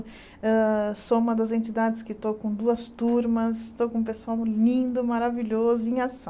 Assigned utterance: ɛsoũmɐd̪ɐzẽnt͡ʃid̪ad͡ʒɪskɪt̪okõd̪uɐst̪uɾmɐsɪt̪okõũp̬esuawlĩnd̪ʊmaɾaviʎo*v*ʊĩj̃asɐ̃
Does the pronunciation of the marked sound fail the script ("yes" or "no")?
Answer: yes